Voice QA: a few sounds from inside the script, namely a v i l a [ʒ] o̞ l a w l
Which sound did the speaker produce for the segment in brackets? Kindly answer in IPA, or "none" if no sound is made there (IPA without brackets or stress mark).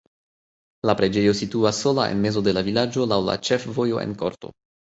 d͡ʒ